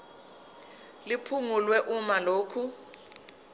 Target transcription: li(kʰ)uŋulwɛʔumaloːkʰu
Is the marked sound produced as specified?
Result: no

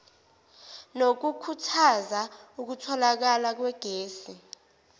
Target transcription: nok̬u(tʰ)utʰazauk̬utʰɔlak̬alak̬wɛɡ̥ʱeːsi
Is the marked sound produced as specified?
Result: no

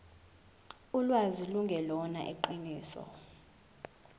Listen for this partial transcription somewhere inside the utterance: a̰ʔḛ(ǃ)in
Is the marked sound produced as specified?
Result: yes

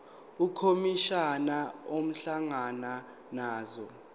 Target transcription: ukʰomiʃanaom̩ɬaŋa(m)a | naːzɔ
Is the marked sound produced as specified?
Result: no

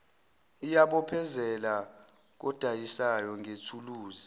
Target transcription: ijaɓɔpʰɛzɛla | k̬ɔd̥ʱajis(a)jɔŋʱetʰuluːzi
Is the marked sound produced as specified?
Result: yes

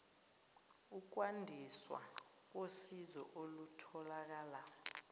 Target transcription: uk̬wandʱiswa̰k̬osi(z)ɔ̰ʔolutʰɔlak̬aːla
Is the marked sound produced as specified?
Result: yes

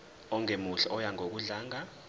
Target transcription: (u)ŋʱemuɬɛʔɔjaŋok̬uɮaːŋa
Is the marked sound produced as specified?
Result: no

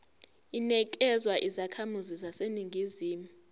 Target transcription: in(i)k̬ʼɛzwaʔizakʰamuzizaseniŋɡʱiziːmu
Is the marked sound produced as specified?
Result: no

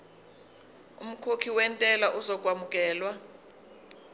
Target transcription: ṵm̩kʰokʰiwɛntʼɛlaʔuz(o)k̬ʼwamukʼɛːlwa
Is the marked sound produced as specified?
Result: no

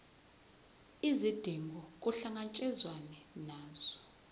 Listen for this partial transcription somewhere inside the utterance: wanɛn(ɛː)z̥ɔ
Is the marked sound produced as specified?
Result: no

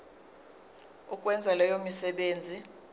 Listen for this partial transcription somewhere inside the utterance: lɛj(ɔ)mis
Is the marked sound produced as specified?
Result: no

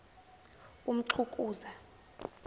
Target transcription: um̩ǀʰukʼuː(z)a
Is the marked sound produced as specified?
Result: yes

